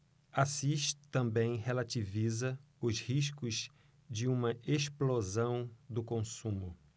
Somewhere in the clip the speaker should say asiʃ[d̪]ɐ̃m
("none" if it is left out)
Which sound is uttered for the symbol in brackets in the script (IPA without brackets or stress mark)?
t̪